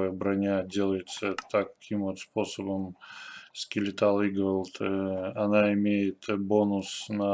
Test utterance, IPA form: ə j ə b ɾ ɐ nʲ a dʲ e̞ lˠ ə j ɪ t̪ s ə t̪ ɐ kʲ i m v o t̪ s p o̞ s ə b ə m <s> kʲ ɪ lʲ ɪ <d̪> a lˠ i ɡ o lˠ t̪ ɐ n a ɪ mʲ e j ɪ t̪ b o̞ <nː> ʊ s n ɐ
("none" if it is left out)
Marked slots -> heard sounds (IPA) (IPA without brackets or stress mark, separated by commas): s, t̪, n